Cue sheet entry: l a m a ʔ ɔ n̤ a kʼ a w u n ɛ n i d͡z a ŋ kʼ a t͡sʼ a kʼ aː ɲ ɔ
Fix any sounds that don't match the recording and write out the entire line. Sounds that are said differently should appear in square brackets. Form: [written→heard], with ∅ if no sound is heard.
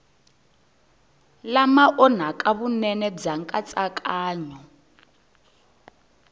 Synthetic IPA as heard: l a m a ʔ ɔ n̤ a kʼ a [w→β] u n ɛ n [i→ɛ] d͡z a ŋ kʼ a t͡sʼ a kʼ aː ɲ ɔ